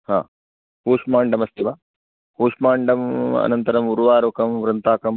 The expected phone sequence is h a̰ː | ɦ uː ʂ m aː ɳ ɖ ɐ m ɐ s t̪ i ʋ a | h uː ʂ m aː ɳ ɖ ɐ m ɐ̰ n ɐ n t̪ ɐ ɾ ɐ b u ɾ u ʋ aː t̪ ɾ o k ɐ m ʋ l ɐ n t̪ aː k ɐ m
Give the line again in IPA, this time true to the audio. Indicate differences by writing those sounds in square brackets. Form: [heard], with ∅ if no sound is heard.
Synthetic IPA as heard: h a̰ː | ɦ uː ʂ m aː ɳ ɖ ɐ m ɐ s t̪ i ʋ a | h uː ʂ m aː ɳ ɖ ɐ m ɐ̰ n ɐ n t̪ ɐ ɾ ɐ [m] u ɾ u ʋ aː [∅] ɾ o k ɐ m ʋ [ɾ] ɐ n t̪ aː k ɐ m